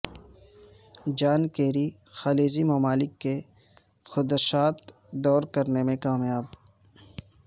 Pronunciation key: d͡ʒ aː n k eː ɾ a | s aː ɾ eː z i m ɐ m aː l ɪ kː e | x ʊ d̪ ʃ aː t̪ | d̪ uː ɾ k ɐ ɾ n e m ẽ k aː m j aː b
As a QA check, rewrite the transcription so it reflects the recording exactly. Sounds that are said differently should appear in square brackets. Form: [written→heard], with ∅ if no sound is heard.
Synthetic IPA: d͡ʒ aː n k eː ɾ [a→i] | [s→x] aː [ɾ→l] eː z i m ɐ m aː l ɪ kː e | x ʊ d̪ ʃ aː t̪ | d̪ [uː→ɔː] ɾ k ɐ ɾ n e m ẽ k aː m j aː b